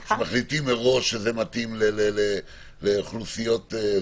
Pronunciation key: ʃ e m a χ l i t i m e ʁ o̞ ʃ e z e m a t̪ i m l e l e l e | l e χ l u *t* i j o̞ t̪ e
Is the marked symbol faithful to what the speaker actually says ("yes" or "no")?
no